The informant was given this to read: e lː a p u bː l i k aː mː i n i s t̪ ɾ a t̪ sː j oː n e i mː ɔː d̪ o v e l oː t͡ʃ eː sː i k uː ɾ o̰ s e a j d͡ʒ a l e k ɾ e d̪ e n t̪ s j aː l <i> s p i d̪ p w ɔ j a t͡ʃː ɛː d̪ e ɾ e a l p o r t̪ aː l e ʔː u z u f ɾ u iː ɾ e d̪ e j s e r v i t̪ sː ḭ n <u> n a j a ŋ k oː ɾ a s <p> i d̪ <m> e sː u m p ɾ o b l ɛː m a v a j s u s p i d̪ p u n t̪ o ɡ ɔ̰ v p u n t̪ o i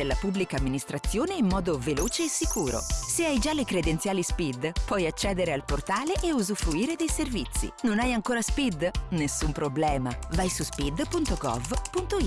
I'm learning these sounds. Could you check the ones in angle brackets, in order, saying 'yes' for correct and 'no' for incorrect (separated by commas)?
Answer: yes, no, yes, no